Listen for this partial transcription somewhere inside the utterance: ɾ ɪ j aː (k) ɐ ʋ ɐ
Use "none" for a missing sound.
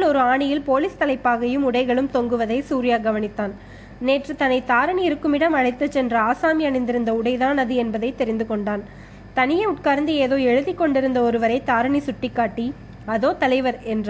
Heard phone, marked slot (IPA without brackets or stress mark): ɡ